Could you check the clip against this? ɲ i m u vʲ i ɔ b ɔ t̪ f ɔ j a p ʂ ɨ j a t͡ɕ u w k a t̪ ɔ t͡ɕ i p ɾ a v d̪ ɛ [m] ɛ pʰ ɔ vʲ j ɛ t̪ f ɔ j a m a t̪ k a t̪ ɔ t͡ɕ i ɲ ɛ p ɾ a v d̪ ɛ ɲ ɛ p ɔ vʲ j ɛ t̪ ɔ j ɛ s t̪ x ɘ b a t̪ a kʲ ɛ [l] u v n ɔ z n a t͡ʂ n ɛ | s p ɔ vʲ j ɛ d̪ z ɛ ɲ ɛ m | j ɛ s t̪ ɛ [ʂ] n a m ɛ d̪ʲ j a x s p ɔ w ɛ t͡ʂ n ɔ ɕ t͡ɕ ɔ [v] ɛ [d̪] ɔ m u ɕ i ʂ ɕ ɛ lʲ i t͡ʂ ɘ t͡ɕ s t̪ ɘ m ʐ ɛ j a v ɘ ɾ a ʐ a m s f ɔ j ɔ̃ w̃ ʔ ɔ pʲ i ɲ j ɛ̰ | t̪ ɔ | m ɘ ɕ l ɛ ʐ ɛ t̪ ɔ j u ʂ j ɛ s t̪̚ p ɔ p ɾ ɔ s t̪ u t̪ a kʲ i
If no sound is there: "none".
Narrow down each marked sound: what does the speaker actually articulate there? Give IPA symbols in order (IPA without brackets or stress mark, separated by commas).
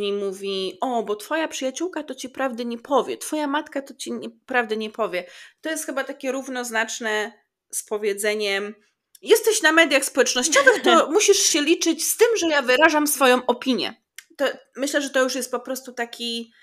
ɲ, ɾ, ɕ, v, t̪